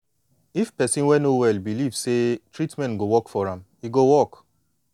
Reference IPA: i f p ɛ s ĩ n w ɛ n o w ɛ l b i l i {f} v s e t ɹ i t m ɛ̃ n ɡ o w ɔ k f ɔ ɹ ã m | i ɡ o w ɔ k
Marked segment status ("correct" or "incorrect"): incorrect